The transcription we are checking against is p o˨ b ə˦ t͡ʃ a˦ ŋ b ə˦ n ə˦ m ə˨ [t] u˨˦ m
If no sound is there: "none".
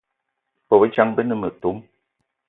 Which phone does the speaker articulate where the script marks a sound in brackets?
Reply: t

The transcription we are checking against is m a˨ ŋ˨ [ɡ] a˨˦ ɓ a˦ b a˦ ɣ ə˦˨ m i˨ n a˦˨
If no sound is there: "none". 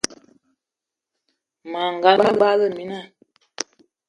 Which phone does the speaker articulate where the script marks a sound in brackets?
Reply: ɡ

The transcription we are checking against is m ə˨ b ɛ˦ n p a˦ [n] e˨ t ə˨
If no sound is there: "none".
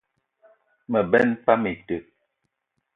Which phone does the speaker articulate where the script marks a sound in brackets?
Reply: m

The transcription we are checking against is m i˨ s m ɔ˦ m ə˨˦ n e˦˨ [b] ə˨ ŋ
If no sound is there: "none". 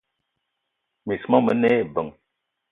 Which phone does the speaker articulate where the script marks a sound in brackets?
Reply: b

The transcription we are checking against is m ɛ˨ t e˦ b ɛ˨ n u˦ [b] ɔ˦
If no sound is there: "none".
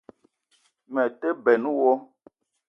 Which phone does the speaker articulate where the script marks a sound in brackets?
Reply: w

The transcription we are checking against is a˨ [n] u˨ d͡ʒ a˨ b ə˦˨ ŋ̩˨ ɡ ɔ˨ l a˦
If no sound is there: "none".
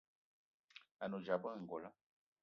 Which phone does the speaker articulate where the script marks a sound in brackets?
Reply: n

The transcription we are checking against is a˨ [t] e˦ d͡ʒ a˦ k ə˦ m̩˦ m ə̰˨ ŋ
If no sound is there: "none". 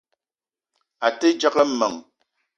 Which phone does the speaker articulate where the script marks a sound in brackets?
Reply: t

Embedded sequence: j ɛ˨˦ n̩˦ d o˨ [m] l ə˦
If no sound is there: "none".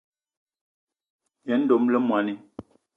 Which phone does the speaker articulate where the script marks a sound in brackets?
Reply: m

